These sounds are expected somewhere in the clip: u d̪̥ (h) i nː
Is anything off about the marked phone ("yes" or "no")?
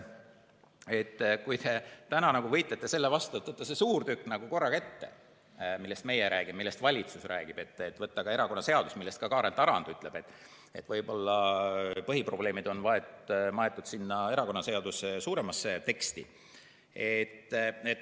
yes